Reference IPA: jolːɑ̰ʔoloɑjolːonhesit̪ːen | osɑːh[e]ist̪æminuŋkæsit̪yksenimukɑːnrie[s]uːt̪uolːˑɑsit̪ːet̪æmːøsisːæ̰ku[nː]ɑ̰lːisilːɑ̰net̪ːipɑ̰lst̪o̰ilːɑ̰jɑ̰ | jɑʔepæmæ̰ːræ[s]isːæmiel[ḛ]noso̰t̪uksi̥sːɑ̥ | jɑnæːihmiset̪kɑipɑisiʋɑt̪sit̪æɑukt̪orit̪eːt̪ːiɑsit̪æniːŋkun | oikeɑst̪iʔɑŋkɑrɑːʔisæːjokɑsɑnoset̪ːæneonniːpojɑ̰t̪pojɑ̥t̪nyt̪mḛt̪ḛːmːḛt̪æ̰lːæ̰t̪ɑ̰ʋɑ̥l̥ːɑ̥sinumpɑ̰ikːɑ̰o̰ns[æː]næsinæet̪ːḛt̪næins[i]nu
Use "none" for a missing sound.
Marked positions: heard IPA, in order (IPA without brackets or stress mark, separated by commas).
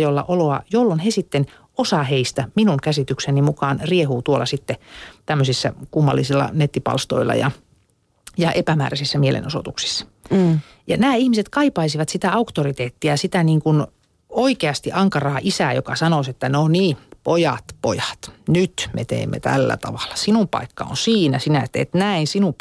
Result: e, h, mː, s, ḛ, iː, i